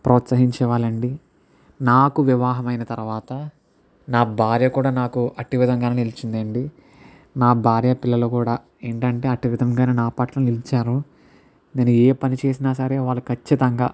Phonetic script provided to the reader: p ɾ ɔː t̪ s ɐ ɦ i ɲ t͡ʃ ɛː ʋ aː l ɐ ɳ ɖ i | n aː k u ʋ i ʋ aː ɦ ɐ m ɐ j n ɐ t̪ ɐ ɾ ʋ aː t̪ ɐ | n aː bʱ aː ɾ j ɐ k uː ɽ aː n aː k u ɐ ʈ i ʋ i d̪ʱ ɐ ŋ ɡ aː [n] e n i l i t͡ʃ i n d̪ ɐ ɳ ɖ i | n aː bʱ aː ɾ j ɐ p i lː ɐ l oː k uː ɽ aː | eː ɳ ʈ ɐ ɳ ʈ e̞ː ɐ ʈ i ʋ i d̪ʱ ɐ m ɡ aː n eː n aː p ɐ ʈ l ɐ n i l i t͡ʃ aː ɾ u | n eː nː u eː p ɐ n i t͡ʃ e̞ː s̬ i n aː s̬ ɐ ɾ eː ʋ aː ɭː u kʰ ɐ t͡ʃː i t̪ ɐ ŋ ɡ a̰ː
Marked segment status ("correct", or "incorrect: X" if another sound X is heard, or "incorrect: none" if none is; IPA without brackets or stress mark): correct